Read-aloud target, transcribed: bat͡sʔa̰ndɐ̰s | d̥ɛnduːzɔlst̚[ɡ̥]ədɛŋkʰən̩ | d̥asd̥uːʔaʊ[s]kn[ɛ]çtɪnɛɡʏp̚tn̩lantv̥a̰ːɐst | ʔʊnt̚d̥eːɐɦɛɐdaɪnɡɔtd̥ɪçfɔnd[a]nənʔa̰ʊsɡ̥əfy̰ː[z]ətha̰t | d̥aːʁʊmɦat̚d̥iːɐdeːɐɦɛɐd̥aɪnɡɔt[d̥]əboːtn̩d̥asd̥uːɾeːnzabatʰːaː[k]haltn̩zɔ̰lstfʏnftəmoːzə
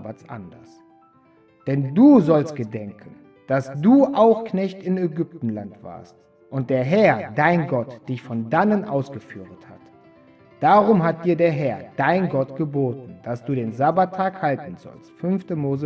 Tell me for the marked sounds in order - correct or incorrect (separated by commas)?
correct, incorrect, correct, correct, incorrect, incorrect, correct